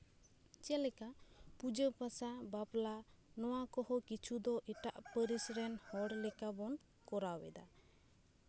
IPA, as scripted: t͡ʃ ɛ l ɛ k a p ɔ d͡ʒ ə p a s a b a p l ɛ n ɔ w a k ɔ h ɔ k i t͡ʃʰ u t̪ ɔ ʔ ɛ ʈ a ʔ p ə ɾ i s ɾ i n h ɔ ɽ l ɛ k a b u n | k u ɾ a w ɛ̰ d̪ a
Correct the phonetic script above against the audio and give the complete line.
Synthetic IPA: t͡ʃ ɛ l ɛ k a p u d͡ʒ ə p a s a b a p l a n ɔ w a k ɔ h ɔ k i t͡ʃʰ u d̪ ɔ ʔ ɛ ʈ a ʔ p ə ɾ i s ɾ ɛ n h ɔ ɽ l ɛ k a b ɔ n | k ɔ ɾ a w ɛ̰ d̪ a